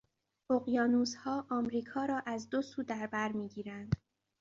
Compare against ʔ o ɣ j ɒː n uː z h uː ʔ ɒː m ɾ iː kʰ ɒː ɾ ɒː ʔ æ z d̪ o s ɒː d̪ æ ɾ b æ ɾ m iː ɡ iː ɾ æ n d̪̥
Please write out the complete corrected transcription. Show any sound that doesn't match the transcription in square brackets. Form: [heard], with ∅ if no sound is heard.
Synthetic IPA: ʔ o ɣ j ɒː n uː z h [ɒː] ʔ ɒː m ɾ iː kʰ ɒː ɾ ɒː ʔ æ z d̪ o s [uː] d̪ æ ɾ b æ ɾ m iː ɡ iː ɾ æ n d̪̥